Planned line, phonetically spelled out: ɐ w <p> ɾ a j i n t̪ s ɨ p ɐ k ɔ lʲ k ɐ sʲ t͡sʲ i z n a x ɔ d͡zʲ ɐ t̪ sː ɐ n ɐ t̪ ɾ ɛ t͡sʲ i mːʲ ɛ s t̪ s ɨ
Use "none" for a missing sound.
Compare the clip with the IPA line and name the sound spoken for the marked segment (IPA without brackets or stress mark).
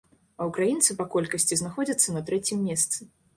k